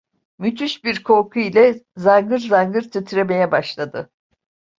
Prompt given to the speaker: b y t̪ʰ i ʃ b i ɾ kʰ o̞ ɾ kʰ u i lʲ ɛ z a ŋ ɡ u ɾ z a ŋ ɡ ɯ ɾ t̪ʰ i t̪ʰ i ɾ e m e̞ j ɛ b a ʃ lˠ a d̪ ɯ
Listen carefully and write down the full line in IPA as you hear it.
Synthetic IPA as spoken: m y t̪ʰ y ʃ b i ɾ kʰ o̞ ɾ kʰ u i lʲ ɛ z a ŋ ɡ ɯ ɾ z a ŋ ɡ ɯ ɾ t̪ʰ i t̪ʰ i ɾ e m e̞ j ɛ b a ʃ lˠ a d̪ ɯ